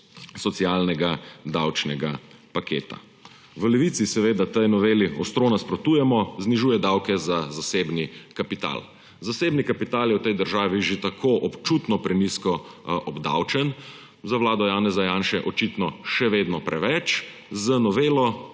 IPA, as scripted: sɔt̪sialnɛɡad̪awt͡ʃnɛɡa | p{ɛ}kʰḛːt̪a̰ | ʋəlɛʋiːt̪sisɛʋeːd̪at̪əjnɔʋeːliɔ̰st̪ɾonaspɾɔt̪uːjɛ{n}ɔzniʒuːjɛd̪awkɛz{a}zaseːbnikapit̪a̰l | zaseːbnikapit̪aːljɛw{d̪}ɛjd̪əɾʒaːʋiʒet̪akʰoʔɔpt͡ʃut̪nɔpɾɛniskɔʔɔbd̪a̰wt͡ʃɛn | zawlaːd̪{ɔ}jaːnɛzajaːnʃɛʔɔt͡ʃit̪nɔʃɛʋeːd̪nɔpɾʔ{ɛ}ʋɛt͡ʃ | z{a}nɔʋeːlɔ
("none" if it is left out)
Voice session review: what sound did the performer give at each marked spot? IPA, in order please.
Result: a, m, a, t̪, ɔ, ɛ, ə

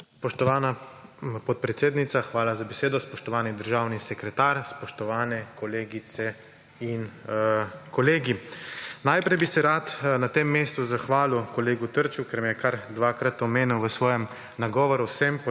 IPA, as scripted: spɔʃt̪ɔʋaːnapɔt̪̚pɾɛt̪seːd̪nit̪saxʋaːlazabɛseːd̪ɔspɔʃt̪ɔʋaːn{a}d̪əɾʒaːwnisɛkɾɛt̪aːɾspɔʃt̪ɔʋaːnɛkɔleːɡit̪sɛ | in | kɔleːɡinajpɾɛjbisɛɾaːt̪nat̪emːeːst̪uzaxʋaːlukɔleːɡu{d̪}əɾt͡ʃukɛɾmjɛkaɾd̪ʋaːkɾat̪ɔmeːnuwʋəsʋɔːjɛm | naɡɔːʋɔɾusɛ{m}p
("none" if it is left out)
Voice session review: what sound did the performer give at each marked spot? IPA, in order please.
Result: i, t̪, m

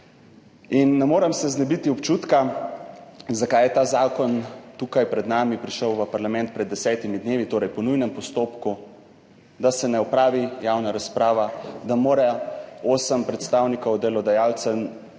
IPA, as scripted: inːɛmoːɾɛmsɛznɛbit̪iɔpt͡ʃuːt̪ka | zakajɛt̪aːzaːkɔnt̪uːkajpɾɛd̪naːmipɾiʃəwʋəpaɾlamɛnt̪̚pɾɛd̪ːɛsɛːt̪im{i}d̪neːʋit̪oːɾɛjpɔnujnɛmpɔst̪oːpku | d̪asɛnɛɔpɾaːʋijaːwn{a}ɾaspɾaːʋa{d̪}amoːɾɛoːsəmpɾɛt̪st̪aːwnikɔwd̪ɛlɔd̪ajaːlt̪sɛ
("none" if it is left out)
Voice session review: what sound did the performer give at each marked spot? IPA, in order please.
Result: i, a, d̪

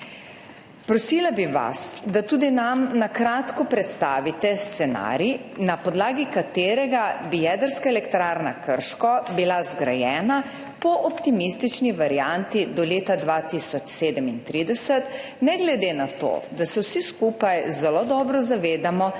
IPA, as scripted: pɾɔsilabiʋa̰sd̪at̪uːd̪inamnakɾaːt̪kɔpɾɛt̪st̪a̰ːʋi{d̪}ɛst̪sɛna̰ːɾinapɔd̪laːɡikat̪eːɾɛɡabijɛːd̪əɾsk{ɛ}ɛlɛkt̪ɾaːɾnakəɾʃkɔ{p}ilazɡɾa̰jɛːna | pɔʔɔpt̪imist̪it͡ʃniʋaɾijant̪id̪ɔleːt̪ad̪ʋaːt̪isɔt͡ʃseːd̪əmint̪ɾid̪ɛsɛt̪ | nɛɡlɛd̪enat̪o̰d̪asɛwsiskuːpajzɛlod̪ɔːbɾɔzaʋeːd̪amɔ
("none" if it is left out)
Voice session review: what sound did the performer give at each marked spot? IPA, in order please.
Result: t̪, a, b

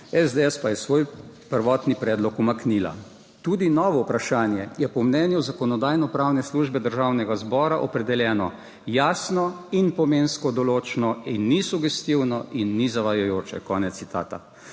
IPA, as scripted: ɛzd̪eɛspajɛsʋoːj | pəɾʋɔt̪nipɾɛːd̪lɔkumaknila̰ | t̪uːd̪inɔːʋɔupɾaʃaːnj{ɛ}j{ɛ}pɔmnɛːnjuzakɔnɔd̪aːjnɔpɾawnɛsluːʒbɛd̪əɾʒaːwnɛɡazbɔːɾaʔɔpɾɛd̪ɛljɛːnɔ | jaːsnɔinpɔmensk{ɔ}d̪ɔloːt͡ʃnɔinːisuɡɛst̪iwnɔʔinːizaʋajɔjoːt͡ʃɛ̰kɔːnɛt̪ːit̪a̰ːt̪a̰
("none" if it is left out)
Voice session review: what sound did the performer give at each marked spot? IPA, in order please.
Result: ɛ, ɛ, ɔ

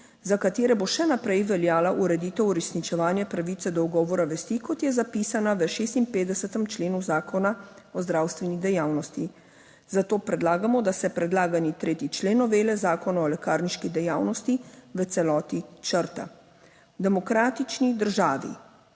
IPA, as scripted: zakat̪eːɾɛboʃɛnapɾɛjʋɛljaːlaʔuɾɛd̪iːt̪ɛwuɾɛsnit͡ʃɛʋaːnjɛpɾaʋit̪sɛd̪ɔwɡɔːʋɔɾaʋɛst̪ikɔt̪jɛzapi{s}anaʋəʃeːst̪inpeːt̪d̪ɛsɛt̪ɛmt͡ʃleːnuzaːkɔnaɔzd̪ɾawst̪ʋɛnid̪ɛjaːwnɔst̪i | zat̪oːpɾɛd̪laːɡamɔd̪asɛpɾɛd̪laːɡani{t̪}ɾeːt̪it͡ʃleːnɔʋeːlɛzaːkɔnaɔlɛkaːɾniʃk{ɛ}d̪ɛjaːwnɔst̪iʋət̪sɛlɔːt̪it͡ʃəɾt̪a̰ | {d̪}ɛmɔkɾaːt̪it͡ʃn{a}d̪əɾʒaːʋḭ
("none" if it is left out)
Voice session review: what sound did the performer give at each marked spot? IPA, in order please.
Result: s, t̪, i, d̪, i

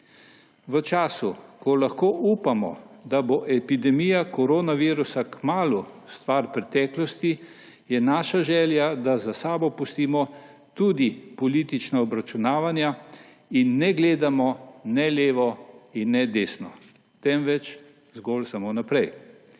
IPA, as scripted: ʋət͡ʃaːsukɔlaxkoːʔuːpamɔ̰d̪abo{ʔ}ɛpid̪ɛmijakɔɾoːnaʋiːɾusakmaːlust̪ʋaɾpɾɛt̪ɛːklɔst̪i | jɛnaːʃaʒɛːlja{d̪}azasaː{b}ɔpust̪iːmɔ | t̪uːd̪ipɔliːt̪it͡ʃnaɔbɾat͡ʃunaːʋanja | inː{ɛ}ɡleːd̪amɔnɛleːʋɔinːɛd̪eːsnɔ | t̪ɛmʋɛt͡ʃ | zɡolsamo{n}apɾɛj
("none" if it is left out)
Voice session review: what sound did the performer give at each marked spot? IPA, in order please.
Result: ʔ, d̪, b, ɛ, n

